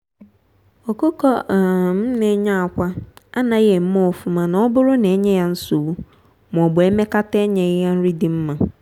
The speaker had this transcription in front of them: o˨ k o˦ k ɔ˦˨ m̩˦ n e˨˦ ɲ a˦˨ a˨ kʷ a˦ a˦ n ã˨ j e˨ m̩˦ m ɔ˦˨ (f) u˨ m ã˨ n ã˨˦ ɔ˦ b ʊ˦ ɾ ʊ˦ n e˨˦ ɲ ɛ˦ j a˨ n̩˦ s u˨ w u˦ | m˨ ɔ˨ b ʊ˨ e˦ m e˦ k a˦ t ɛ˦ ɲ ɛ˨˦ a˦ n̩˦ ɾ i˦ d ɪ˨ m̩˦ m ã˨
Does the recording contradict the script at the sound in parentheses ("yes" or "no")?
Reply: no